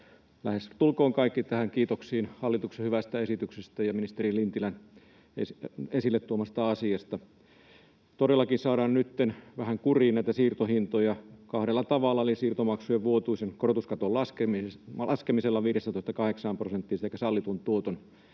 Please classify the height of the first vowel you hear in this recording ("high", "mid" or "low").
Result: low